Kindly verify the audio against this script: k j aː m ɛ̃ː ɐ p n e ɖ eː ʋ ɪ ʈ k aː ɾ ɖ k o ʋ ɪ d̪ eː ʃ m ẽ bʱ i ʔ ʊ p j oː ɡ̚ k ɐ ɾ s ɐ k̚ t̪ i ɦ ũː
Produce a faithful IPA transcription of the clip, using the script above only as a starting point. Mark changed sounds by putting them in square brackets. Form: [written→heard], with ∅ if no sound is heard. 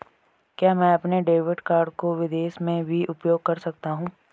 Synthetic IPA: k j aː m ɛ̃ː ɐ p n e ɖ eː ʋ ɪ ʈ k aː ɾ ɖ k o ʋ ɪ d̪ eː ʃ m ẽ bʱ i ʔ ʊ p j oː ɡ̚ k ɐ ɾ s ɐ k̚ t̪ [i→a] ɦ ũː